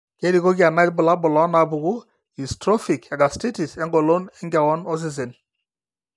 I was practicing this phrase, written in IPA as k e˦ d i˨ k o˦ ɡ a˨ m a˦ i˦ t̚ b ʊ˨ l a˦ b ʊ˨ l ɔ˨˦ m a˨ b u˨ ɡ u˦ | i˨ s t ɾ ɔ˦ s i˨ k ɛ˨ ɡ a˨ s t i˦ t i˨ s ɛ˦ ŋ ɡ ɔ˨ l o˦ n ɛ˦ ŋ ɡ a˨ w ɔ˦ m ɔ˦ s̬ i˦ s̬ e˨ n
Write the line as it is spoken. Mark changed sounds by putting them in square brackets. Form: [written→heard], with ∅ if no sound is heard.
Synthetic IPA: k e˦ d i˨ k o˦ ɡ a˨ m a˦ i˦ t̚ b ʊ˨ l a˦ b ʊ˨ l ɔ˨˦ [m→n] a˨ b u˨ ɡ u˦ | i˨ s t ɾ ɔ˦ [s→f] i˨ k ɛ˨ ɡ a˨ s t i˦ t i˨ s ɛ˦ ŋ ɡ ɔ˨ l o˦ n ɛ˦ ŋ ɡ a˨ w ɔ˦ [m→n] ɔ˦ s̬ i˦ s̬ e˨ n